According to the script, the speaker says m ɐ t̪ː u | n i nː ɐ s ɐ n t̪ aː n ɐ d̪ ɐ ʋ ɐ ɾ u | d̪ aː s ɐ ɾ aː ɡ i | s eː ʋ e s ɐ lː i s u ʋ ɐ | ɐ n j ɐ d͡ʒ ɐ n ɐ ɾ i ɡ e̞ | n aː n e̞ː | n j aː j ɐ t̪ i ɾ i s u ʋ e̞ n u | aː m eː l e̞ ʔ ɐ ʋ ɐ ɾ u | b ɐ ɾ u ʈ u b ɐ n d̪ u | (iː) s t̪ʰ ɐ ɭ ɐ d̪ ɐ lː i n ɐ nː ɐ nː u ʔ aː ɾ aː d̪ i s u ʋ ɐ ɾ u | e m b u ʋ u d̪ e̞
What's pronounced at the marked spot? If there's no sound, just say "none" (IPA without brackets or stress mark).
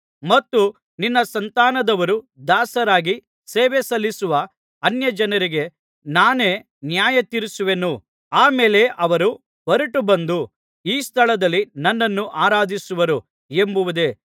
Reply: iː